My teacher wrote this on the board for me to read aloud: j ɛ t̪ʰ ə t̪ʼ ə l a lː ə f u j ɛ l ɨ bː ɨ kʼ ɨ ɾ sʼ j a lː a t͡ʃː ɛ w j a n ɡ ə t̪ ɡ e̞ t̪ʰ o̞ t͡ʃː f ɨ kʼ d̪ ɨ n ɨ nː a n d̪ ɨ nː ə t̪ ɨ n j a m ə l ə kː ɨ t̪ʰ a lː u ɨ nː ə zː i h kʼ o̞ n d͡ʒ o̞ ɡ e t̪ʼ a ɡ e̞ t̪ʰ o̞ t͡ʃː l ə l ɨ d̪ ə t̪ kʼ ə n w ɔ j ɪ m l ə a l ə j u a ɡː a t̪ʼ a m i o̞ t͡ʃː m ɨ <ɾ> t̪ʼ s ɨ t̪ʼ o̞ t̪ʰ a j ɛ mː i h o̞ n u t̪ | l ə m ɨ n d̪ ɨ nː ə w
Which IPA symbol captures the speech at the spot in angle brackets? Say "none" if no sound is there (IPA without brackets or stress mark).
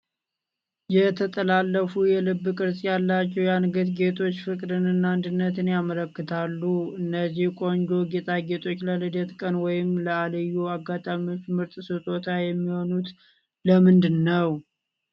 ɾ